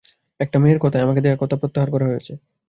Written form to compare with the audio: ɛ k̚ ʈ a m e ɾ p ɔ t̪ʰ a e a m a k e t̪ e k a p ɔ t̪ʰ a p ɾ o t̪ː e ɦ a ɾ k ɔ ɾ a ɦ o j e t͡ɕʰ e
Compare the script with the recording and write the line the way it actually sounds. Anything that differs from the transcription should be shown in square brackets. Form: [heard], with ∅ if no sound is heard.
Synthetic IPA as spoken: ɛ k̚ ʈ a m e ɾ [k] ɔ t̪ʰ a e a m a k e [d̪] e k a [k] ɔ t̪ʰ a p ɾ o t̪ː [a] ɦ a ɾ k ɔ ɾ a ɦ o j e t͡ɕʰ e